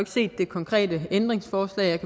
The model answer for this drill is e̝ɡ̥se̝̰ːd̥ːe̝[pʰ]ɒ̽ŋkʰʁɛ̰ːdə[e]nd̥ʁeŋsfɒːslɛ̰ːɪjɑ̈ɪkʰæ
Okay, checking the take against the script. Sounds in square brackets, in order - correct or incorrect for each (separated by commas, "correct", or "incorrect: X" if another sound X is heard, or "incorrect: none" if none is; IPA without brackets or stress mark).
incorrect: kʰ, correct